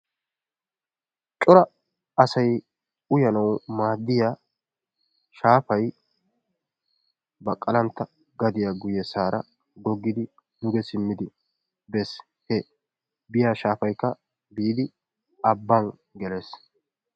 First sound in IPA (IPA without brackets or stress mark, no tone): t͡ʃʼ